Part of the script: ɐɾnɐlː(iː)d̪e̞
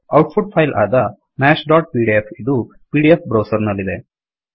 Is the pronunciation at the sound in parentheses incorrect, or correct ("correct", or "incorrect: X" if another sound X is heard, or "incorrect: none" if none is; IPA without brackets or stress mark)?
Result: incorrect: i